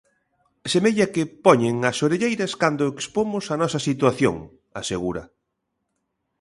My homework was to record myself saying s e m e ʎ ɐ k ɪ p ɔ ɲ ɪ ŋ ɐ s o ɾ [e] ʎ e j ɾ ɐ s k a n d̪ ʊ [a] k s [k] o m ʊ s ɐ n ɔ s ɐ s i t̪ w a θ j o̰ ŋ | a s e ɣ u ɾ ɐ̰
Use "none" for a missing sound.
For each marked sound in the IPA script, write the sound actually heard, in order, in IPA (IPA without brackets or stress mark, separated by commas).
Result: e, e, p